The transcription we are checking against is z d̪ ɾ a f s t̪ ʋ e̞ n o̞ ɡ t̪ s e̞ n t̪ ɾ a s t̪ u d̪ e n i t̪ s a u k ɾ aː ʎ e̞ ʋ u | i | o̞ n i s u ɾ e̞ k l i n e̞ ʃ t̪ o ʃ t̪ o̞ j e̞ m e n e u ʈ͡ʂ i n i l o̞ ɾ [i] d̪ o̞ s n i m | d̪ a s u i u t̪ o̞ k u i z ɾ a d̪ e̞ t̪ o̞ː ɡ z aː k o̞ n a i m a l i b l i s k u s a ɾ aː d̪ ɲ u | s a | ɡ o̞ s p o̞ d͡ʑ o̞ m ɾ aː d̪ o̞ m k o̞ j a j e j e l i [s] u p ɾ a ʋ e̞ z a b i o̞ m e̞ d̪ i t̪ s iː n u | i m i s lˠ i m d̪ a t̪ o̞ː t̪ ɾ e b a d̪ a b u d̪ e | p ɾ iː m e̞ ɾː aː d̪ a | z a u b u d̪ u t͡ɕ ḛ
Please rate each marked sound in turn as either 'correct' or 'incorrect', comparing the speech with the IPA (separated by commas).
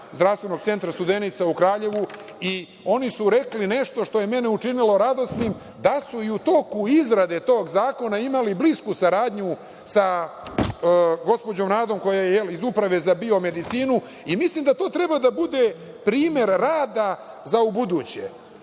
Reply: incorrect, incorrect